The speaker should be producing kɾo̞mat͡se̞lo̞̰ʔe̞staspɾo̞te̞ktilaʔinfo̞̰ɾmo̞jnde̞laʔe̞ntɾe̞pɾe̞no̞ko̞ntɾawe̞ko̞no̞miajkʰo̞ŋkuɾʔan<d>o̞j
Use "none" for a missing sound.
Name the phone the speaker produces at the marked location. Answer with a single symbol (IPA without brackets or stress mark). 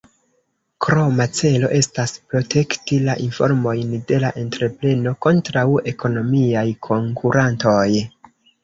t